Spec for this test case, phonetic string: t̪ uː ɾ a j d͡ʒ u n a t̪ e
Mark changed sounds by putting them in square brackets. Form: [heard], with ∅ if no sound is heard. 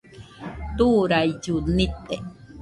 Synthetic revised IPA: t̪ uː ɾ a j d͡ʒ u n [i] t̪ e